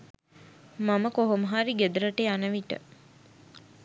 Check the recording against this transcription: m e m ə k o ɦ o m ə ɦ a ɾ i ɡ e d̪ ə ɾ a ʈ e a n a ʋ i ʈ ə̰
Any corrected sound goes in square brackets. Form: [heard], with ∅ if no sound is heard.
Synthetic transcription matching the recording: m [a] m ə k o ɦ o m ə ɦ a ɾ i ɡ e d̪ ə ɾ [ə] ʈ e a n [ə] ʋ i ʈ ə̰